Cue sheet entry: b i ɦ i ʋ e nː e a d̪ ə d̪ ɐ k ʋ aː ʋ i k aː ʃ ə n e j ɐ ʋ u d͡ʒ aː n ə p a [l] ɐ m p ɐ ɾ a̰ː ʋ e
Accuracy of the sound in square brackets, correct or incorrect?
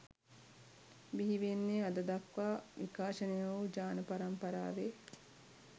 incorrect